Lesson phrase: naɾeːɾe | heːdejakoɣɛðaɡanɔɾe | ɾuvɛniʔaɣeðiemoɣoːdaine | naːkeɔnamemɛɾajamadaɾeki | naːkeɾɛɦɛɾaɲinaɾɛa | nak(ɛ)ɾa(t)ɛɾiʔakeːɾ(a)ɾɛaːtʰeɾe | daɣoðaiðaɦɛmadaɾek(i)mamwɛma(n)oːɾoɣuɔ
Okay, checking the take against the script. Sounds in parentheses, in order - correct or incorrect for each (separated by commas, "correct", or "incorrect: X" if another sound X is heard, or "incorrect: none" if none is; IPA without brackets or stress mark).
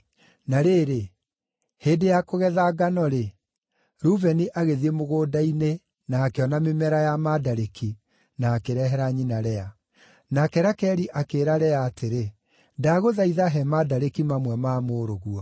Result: correct, incorrect: k, correct, correct, incorrect: m